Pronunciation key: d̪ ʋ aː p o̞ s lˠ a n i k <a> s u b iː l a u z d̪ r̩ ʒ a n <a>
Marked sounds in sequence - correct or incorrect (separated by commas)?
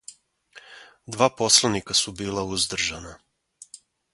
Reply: correct, correct